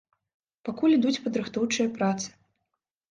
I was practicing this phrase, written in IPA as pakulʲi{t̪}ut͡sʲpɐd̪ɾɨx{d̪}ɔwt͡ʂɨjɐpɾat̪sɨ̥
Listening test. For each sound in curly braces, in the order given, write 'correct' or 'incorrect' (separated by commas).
incorrect, incorrect